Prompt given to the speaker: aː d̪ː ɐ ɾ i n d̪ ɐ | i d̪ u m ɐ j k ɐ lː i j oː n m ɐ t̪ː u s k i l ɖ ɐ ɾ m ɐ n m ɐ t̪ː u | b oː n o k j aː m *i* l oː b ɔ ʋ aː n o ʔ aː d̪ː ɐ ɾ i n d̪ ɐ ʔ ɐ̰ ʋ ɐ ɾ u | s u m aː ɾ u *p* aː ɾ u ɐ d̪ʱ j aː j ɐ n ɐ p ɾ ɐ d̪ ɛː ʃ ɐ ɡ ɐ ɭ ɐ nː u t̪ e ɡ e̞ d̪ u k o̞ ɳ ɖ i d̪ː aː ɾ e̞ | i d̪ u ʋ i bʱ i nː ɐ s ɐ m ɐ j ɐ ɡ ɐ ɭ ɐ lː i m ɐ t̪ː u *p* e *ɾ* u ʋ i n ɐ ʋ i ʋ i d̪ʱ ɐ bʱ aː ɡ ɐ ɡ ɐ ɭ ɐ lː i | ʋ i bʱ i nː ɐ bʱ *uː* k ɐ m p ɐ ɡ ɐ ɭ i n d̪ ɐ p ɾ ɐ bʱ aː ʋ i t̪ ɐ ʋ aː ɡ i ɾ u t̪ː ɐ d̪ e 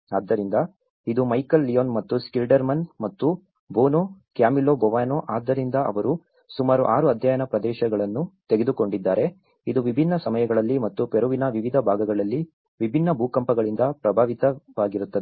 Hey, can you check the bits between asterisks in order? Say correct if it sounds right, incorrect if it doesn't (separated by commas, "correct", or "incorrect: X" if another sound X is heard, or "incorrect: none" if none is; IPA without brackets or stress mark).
correct, incorrect: ʔ, correct, correct, correct